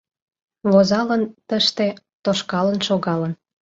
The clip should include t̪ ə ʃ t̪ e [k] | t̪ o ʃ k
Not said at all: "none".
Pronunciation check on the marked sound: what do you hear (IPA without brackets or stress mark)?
none